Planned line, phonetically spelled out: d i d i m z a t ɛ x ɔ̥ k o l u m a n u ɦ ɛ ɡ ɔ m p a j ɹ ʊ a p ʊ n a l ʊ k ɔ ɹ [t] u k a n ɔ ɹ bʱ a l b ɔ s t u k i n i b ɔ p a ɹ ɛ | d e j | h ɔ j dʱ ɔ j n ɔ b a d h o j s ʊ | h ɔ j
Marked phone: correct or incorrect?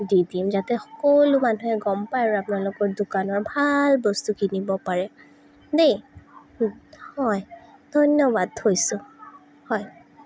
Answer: incorrect